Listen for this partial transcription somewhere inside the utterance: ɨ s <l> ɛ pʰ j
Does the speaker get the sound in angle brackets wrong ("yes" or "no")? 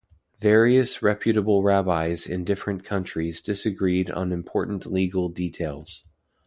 yes